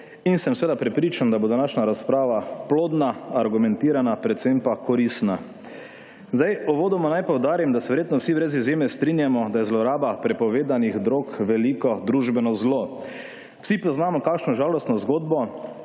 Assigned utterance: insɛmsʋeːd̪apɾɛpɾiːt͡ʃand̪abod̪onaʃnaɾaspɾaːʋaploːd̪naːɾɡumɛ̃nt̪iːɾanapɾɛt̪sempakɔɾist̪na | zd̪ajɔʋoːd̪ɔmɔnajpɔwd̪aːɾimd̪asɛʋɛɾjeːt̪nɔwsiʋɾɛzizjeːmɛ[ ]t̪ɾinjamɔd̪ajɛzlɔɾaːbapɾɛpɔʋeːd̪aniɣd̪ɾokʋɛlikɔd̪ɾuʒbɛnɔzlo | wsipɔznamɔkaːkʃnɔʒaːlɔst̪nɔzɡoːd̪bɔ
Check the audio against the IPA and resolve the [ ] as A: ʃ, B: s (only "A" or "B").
B